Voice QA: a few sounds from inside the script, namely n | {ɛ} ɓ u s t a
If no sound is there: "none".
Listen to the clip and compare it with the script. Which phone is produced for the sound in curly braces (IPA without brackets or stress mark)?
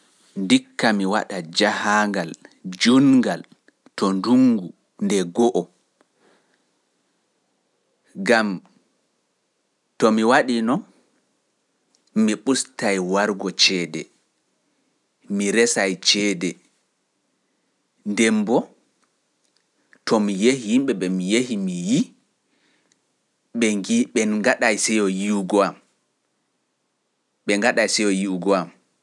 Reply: i